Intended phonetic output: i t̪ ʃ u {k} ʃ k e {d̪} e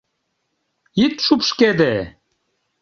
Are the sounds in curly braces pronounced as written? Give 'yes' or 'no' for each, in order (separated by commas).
no, yes